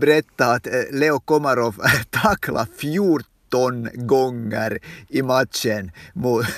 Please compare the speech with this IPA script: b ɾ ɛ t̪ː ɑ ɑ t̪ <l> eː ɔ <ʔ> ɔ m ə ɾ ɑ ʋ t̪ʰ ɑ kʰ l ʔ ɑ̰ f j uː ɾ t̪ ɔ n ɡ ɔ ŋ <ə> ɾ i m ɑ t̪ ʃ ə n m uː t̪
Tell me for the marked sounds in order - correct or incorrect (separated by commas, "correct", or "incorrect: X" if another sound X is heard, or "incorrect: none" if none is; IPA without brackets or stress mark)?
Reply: correct, incorrect: k, correct